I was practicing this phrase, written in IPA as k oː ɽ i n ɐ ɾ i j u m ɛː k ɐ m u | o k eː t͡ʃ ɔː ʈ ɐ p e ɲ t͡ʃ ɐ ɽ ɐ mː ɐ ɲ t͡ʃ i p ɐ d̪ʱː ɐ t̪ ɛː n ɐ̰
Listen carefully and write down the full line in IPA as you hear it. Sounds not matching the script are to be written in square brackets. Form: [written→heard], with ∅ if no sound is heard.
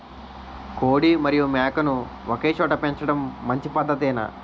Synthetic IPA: k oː ɽ i [n→m] ɐ ɾ i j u m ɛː k ɐ [m→n] u | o k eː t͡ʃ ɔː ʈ ɐ p e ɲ t͡ʃ ɐ ɽ ɐ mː ɐ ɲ t͡ʃ i p ɐ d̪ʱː ɐ t̪ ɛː n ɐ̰

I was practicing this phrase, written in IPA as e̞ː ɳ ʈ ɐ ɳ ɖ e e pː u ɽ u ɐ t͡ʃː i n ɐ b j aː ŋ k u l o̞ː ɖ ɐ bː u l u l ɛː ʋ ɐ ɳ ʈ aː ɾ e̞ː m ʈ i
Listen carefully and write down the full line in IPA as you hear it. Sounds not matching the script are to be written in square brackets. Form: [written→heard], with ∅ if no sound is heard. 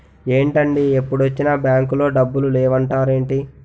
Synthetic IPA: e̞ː ɳ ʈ ɐ ɳ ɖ [e→i] e pː u ɽ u ɐ t͡ʃː i n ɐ b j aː ŋ k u l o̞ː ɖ ɐ bː u l u l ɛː ʋ ɐ ɳ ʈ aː ɾ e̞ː [m→ɳ] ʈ i

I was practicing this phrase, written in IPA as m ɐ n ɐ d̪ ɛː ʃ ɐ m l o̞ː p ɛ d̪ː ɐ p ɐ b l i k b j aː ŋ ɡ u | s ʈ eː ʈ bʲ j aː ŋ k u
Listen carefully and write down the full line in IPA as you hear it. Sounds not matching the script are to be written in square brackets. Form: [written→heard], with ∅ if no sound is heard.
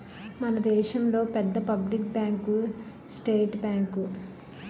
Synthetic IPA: m ɐ n ɐ d̪ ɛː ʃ ɐ m l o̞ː p ɛ d̪ː ɐ p ɐ b l i k b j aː ŋ [ɡ→k] u | s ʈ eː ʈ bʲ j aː ŋ k u

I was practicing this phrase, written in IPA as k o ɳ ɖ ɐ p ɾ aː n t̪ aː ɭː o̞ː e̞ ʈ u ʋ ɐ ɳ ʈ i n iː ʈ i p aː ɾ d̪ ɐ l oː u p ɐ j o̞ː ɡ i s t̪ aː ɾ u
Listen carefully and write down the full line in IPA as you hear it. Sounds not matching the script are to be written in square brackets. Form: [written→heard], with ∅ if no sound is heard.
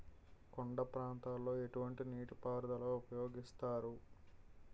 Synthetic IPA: k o ɳ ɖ ɐ p ɾ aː n t̪ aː [ɭː→lː] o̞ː e̞ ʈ u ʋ ɐ ɳ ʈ i n iː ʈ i p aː ɾ d̪ ɐ l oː u p ɐ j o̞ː ɡ i s t̪ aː ɾ u

